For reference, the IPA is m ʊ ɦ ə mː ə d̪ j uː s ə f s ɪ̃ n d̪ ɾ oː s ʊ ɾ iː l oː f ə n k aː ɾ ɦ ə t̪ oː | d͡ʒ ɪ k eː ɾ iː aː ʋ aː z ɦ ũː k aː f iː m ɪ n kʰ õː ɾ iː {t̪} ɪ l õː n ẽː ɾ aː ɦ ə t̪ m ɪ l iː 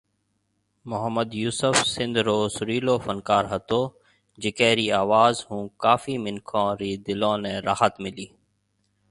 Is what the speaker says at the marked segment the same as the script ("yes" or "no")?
no